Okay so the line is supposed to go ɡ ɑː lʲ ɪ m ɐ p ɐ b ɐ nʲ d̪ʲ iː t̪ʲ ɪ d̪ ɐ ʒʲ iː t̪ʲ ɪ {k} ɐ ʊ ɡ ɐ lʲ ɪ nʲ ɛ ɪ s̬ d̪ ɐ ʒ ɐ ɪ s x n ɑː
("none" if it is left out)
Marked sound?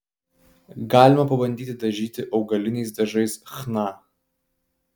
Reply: ʔ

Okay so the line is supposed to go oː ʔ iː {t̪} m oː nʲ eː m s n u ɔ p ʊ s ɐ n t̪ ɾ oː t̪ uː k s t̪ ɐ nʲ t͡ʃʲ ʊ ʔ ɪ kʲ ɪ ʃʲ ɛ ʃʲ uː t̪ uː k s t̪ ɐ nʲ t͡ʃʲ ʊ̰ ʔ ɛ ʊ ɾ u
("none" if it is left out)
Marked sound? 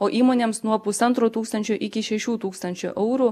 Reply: none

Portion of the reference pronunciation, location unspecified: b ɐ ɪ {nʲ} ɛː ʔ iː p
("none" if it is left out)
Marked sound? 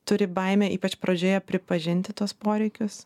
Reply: mʲ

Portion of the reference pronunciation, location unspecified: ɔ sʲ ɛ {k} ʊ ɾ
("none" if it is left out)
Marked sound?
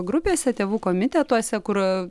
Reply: k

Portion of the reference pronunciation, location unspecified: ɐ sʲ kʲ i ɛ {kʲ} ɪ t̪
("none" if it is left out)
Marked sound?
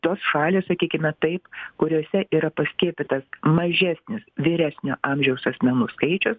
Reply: pʲ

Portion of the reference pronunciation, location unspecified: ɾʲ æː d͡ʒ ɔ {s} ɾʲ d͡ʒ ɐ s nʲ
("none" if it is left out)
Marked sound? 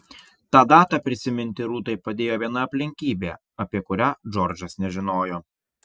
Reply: none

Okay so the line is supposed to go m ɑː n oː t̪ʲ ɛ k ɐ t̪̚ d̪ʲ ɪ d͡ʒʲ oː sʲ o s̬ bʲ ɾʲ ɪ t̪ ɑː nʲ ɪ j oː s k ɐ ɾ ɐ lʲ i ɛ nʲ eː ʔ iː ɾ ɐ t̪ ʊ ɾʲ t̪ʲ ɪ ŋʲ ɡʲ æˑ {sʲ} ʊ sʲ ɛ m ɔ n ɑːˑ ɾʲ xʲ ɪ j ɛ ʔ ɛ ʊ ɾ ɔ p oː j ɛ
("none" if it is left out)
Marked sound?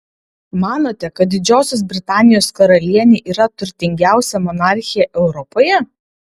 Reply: none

